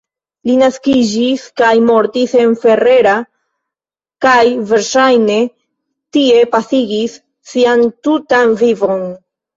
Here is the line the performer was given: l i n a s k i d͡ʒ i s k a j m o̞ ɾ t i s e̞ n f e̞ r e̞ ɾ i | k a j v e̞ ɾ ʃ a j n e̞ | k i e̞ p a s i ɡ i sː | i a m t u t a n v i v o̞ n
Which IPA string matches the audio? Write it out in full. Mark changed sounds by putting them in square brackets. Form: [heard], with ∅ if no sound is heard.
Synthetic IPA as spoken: l i n a s k i d͡ʒ i s k a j m o̞ ɾ t i s e̞ n f e̞ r e̞ ɾ [a] | k a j v e̞ ɾ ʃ a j n e̞ | [t] i e̞ p a s i ɡ i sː | i a [n] t u t a n v i v o̞ n